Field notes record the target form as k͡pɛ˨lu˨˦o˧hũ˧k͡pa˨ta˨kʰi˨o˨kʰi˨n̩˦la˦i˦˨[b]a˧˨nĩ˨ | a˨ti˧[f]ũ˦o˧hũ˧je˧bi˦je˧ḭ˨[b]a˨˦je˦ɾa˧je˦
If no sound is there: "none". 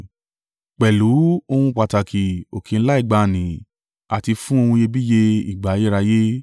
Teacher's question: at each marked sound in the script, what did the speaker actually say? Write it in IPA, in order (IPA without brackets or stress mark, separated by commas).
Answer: ɡ͡b, f, ɡ͡b